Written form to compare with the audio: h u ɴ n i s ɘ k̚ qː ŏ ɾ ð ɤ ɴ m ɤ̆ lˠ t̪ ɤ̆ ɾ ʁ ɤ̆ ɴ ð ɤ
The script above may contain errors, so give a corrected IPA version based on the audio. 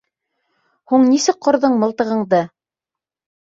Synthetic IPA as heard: h u ɴ n i s ɘ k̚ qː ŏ ɾ ð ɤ ɴ m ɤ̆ lˠ t̪ ɤ̆ ʁ ɤ̆ ɴ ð ɤ